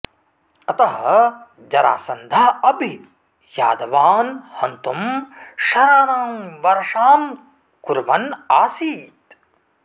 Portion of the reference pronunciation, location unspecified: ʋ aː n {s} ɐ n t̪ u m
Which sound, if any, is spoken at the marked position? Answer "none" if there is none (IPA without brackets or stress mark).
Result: h